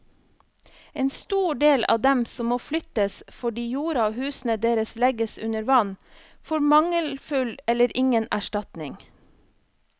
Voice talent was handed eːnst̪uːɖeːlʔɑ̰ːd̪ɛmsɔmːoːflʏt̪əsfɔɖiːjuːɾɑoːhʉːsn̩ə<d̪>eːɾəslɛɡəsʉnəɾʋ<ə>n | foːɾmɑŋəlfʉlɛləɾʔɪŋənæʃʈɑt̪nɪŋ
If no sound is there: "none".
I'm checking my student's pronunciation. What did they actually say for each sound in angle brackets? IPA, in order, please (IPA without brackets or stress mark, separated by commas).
d̪, ɑ